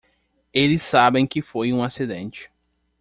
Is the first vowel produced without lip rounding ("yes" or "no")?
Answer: yes